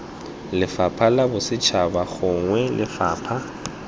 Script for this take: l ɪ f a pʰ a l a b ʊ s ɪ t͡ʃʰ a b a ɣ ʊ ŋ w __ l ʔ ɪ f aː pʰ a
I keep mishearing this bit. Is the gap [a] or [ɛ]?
ɛ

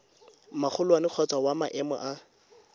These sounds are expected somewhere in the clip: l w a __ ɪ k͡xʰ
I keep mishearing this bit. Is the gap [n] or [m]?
n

